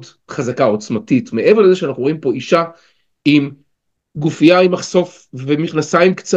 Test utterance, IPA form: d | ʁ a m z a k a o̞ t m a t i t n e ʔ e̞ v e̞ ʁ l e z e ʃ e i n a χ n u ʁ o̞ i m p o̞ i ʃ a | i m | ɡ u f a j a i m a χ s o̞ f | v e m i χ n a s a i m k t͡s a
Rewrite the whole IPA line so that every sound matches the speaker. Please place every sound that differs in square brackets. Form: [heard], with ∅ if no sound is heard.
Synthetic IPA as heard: d | [χ] a [∅] z a k a o̞ [t͡s] m a t i t [m] e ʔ e̞ v e̞ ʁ l e z e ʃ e [a] n a χ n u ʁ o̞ i m p o̞ i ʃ a | i m | ɡ u f [i] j a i m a χ s o̞ f | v e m i χ n a s a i m k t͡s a